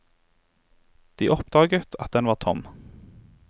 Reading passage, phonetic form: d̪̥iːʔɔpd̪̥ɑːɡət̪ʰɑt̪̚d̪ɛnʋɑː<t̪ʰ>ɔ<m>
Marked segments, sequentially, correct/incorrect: correct, correct

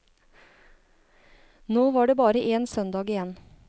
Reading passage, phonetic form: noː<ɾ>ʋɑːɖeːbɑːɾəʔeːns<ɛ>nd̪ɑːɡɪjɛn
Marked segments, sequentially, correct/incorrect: incorrect: none, incorrect: œ

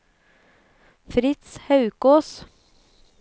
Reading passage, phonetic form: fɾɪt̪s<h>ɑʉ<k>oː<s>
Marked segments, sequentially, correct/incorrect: correct, correct, correct

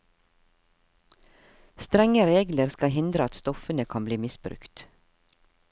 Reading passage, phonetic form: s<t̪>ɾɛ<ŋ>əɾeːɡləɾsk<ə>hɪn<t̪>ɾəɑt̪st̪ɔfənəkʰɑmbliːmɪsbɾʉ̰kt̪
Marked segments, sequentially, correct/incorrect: correct, correct, incorrect: ɑ, incorrect: d̪

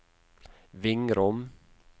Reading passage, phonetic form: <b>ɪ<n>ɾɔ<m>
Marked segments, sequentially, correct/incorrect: incorrect: v, incorrect: ŋ, correct

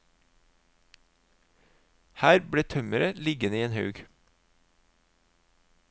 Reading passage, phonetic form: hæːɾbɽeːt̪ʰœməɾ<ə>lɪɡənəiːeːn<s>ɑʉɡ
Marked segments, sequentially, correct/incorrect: correct, incorrect: h

